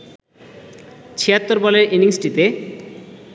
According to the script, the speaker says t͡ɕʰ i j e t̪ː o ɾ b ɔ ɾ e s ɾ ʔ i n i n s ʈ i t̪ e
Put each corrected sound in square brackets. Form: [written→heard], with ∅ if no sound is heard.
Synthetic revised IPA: t͡ɕʰ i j [e→a] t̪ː o ɾ b ɔ [ɾ→l] e [s→∅] ɾ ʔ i n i [n→ŋ] s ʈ i t̪ e